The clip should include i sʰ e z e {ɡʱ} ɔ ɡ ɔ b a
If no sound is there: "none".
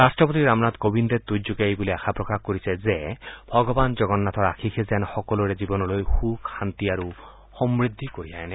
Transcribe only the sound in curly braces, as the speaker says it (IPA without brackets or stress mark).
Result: bʱ